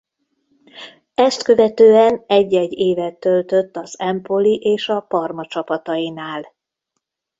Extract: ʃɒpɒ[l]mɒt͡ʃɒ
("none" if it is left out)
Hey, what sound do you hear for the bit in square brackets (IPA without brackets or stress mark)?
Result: r